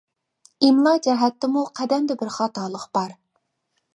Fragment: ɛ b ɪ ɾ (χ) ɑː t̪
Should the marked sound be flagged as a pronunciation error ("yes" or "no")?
no